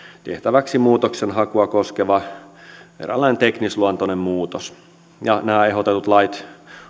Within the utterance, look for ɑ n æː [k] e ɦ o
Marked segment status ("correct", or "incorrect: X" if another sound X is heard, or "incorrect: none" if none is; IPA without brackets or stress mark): incorrect: none